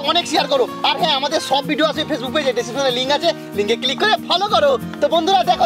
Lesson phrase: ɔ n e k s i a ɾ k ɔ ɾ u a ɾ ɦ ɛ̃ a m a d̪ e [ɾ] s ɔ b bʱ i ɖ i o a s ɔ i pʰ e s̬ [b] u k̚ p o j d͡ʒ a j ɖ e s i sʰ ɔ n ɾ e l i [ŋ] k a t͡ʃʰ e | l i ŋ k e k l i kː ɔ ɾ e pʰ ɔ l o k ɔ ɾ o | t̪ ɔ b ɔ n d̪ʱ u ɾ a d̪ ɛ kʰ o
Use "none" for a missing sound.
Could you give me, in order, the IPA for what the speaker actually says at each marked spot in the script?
ɾ, b, ŋ

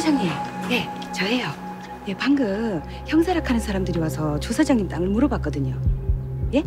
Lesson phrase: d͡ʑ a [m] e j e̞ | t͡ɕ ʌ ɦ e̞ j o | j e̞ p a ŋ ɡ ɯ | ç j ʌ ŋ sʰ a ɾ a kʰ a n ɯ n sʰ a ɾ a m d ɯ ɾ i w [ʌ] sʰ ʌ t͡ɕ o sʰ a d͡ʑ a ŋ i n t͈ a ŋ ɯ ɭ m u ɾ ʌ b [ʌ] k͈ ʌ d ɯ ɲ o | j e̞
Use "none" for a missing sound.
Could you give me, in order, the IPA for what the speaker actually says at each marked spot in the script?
ŋ, a, a

